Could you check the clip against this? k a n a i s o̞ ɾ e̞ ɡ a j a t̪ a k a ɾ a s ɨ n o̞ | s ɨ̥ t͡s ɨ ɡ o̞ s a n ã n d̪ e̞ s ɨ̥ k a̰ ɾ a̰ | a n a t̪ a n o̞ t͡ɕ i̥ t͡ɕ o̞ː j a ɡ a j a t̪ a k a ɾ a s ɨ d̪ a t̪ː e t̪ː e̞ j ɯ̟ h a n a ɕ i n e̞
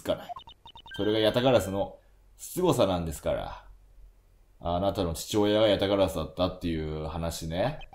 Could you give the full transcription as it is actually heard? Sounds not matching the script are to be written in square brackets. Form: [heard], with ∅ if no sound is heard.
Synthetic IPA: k a n a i s o̞ ɾ e̞ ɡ a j a t̪ a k a ɾ a s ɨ n o̞ | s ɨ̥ t͡s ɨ ɡ o̞ s a n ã n d̪ e̞ s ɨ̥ k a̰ ɾ a̰ | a n a t̪ a n o̞ t͡ɕ i̥ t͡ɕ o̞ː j a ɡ a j a t̪ a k a ɾ a s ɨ d̪ a t̪ː [a] t̪ː e̞ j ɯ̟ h a n a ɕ i n e̞

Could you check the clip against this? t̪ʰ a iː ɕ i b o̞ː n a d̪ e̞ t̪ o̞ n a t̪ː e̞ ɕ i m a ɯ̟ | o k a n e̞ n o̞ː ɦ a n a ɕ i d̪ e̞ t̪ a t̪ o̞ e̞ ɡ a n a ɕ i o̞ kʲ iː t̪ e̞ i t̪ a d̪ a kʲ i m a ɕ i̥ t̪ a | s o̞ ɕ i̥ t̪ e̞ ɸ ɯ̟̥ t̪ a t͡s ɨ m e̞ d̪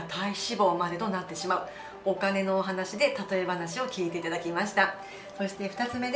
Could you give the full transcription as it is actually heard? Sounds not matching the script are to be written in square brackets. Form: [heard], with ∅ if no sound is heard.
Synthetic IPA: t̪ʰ a [i] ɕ i b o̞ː [m] a d̪ e̞ t̪ o̞ n a t̪ː e̞ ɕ i m a ɯ̟ | o k a n e̞ n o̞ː ɦ a n a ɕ i d̪ e̞ t̪ a t̪ o̞ e̞ [b] a n a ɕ i o̞ kʲ iː t̪ e̞ i t̪ a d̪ a kʲ i m a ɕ i̥ t̪ a | s o̞ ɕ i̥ t̪ e̞ ɸ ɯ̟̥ t̪ a t͡s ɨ m e̞ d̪

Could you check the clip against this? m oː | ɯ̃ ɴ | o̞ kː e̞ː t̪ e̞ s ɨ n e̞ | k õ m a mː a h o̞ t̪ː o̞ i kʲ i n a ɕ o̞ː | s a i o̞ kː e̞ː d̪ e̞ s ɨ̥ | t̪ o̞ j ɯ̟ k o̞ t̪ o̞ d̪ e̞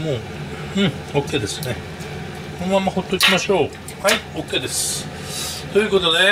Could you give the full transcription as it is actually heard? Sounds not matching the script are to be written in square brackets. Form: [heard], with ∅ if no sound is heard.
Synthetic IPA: m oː | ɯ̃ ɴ | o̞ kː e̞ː [d̪] e̞ s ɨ n e̞ | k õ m a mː a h o̞ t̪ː o̞ i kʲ i [m] a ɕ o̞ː | [h] a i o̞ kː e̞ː d̪ e̞ s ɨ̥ | t̪ o̞ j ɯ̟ k o̞ t̪ o̞ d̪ e̞

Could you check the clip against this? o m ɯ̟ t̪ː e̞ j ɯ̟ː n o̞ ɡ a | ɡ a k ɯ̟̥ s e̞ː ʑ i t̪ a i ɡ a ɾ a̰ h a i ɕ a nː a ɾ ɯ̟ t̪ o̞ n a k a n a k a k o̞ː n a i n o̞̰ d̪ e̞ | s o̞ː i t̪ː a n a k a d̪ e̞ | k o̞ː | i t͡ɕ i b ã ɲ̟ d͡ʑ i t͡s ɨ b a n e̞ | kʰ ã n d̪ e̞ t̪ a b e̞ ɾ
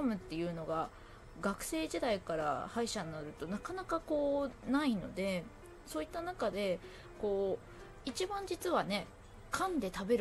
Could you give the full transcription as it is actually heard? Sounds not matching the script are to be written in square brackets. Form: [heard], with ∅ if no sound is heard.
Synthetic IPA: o m ɯ̟ t̪ː e̞ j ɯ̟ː n o̞ ɡ a | ɡ a k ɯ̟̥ s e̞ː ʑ i [d̪] a i [k] a ɾ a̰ h a i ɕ a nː a ɾ ɯ̟ t̪ o̞ n a k a n a k a k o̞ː n a i n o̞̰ d̪ e̞ | s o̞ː i t̪ː a n a k a d̪ e̞ | k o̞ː | i t͡ɕ i b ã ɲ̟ d͡ʑ i t͡s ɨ [β] a n e̞ | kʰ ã n d̪ e̞ t̪ a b e̞ ɾ

